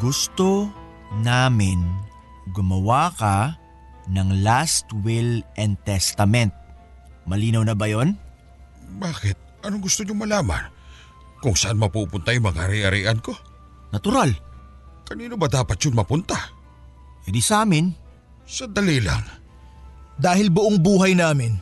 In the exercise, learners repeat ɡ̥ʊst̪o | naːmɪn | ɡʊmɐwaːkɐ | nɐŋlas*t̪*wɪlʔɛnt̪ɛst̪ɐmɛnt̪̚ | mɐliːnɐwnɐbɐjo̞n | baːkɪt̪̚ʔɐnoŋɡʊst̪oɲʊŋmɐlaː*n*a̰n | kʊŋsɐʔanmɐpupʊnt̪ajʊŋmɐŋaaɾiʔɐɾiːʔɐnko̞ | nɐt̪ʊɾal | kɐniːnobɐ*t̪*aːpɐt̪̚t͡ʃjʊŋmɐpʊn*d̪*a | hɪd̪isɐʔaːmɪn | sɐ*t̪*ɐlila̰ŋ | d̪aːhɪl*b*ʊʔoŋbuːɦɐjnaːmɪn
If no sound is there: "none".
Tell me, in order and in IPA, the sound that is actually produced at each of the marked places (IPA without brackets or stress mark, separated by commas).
t̪, m, d̪, t̪, d̪, b